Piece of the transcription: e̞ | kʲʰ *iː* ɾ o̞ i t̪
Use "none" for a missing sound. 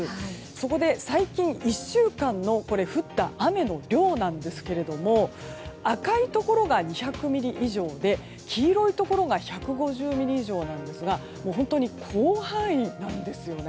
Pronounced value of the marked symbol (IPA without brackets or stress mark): iː